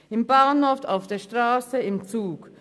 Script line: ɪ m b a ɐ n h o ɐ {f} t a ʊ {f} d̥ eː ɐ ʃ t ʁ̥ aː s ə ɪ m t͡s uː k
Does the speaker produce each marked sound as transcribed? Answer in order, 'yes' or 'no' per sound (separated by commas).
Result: yes, yes